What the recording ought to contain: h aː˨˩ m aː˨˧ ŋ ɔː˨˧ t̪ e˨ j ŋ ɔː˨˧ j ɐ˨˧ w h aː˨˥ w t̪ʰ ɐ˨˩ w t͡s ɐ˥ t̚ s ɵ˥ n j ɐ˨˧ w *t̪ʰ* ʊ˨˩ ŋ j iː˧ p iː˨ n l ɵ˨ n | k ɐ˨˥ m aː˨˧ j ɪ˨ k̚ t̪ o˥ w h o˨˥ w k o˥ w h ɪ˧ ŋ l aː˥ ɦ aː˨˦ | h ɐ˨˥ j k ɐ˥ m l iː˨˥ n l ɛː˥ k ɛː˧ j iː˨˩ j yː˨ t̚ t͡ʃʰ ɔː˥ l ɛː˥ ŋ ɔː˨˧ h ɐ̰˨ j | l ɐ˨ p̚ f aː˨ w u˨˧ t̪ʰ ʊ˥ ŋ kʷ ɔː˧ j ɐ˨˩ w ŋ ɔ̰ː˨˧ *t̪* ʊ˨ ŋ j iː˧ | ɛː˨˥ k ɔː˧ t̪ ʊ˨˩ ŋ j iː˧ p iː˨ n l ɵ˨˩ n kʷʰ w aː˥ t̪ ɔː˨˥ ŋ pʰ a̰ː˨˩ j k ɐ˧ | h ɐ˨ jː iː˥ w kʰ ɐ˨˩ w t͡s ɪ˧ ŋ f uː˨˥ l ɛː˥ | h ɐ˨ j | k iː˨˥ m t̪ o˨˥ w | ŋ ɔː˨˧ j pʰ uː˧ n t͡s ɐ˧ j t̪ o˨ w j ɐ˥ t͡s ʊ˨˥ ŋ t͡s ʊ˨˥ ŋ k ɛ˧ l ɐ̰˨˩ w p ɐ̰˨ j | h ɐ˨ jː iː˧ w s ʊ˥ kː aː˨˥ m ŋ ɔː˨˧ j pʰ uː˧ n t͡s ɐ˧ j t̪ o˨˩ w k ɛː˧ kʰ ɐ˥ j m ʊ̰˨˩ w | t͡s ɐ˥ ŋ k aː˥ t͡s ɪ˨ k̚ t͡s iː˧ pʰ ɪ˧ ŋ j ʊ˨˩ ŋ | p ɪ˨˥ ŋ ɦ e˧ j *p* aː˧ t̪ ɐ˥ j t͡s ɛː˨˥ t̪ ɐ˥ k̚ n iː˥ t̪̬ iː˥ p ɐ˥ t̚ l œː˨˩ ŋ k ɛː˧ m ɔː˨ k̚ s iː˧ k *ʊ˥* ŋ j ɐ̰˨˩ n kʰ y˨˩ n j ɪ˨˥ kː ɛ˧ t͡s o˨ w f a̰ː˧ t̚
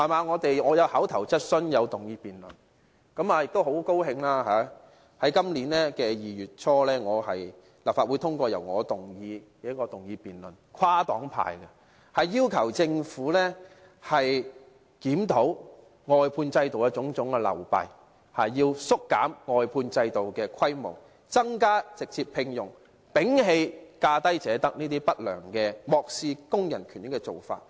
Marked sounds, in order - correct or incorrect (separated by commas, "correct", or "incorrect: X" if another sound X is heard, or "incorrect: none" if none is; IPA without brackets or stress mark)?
incorrect: t̪, correct, incorrect: k, correct